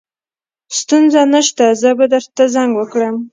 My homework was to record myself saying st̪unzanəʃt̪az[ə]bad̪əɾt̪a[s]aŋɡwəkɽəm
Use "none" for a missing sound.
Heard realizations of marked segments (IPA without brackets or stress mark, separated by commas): ə, z